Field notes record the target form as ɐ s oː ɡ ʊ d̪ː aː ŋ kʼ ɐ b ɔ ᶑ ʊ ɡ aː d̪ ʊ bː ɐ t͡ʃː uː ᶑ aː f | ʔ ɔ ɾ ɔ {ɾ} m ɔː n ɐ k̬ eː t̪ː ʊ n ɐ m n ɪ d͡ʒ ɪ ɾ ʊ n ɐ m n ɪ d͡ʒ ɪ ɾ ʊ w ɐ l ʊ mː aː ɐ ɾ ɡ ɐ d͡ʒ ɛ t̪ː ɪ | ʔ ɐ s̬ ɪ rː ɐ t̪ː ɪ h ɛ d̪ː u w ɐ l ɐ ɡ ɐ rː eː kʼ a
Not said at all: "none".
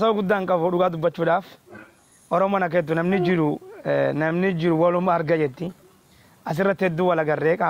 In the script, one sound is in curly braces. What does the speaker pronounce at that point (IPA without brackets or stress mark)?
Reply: none